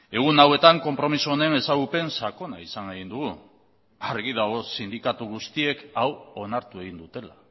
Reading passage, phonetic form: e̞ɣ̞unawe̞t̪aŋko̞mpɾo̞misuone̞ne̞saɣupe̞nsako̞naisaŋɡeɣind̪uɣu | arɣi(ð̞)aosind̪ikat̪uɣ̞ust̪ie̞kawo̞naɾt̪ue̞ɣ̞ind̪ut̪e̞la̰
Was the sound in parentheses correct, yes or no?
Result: yes